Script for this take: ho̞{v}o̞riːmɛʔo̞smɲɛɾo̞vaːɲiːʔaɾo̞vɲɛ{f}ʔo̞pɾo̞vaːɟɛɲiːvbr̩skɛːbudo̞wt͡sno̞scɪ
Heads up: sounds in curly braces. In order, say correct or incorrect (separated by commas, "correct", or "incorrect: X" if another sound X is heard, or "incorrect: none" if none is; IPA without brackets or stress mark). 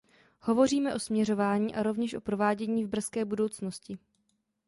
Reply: correct, incorrect: ʃ